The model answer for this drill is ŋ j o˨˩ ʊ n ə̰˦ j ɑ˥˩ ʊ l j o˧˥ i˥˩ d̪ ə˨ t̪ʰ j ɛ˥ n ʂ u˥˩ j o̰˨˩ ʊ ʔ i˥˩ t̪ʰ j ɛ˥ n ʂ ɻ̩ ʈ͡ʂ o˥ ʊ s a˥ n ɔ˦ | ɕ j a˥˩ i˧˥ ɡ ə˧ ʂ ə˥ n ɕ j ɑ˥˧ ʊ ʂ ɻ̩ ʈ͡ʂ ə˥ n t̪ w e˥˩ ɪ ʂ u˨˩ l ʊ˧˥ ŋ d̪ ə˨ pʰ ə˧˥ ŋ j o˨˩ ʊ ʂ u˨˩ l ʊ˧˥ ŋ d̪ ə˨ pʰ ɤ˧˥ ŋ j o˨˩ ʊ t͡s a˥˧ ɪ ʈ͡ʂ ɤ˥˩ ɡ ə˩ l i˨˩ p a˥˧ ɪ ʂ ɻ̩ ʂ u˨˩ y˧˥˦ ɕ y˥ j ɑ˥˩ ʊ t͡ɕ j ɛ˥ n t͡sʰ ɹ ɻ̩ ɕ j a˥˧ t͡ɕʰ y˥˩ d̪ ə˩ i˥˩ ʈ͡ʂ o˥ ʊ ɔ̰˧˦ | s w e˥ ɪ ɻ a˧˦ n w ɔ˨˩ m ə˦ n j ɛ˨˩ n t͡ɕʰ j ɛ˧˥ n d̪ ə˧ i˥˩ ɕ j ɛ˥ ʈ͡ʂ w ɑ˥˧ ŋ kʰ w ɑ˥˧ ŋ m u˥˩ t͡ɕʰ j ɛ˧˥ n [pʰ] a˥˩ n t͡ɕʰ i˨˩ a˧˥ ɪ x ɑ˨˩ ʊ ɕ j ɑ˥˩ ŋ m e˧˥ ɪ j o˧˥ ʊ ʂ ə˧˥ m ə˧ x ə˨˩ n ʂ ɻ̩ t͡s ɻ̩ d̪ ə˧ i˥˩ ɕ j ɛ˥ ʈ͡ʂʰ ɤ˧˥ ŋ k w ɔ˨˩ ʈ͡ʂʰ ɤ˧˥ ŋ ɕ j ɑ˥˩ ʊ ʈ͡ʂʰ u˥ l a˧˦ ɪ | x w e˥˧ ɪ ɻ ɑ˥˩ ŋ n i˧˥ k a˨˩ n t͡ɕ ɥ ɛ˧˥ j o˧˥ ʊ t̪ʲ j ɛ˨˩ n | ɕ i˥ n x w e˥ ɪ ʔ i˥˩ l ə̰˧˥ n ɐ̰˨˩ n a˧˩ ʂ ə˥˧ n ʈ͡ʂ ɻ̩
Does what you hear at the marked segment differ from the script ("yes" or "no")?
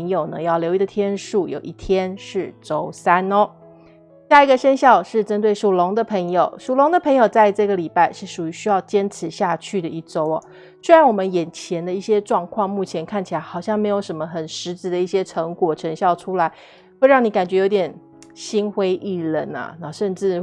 yes